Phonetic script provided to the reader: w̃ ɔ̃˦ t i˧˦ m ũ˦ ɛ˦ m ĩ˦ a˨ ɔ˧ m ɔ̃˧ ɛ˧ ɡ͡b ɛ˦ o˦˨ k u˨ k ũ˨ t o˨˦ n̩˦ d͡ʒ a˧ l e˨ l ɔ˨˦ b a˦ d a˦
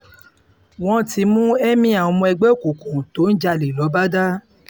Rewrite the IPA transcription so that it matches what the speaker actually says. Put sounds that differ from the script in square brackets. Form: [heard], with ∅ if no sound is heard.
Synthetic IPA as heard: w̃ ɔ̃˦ t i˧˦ m ũ˦ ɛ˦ m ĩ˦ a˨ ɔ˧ m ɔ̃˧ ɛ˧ ɡ͡b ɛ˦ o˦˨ k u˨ k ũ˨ t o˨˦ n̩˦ d͡ʒ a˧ l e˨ l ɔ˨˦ b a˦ d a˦